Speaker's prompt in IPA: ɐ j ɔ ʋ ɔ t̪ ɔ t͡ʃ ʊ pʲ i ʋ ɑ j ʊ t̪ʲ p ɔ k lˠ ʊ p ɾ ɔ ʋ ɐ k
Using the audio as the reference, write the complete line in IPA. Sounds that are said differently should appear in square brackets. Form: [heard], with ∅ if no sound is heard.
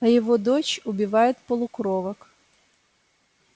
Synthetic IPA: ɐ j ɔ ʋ ɔ [d̪] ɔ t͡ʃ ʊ [bʲ] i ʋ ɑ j ʊ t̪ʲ p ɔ [∅] lˠ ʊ [k] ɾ ɔ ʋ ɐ k

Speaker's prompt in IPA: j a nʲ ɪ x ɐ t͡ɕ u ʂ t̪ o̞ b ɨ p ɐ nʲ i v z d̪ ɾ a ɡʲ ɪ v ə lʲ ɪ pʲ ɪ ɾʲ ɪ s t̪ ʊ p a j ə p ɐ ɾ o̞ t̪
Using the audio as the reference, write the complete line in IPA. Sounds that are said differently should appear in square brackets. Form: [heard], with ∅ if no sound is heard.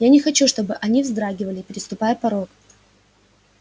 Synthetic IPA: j a nʲ ɪ x ɐ t͡ɕ u ʂ t̪ o̞ b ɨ [ʔ] ɐ nʲ i v z d̪ ɾ a ɡʲ ɪ v ə lʲ ɪ pʲ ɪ ɾʲ ɪ s t̪ ʊ p a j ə p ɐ ɾ o̞ t̪

